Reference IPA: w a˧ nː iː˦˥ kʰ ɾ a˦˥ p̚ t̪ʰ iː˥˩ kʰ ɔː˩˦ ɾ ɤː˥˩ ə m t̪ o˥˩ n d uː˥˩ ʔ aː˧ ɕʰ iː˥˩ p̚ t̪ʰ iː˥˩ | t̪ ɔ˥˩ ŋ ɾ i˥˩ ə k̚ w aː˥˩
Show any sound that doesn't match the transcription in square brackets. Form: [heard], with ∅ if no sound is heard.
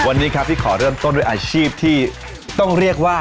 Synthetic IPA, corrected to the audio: w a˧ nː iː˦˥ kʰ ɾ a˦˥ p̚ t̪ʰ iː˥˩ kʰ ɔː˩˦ ɾ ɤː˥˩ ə m t̪ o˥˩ n d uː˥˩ ʔ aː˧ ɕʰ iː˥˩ p̚ t̪ʰ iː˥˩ | t̪ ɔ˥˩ ŋ ɾ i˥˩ ə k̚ w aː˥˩